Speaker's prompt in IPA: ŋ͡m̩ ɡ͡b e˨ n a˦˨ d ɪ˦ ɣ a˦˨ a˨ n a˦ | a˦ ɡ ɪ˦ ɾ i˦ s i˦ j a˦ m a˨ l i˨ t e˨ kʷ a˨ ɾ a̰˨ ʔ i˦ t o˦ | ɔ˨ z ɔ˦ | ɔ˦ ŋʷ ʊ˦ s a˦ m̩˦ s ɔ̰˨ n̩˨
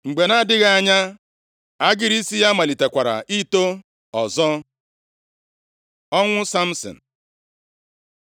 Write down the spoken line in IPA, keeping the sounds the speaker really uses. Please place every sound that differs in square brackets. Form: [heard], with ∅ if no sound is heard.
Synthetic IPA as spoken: ŋ͡m̩ ɡ͡b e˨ n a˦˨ d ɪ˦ ɣ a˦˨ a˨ [ɲ] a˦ | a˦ ɡ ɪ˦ ɾ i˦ s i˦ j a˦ m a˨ l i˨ t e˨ kʷ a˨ ɾ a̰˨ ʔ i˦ t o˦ | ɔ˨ z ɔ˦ | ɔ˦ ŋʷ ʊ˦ s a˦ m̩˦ s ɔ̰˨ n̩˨